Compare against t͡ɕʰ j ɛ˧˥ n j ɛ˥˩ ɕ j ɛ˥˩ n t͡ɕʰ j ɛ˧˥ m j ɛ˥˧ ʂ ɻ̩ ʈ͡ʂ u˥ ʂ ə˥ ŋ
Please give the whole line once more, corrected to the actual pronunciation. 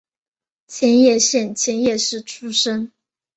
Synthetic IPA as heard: t͡ɕʰ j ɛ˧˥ n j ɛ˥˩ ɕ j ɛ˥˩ n t͡ɕʰ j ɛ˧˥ n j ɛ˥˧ ʂ ɻ̩ ʈ͡ʂʰ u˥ ʂ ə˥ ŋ